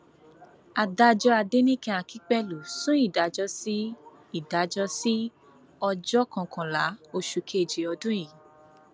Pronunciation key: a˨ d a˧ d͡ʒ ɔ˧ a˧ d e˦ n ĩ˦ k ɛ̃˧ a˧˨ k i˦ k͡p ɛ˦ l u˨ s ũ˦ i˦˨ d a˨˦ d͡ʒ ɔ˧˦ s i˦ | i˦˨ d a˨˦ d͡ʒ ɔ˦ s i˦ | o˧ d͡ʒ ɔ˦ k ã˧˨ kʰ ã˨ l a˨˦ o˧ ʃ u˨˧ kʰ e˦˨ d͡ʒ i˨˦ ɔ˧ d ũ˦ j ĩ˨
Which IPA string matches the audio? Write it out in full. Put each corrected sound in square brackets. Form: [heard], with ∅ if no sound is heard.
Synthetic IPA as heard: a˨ d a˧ d͡ʒ ɔ˧ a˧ d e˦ n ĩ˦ k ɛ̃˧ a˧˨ k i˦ k͡p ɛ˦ l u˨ s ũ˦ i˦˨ d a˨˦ d͡ʒ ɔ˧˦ s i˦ | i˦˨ d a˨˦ d͡ʒ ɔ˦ s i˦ | [ɔ˧] d͡ʒ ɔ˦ k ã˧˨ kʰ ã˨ l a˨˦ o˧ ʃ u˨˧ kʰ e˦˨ d͡ʒ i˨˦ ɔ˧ d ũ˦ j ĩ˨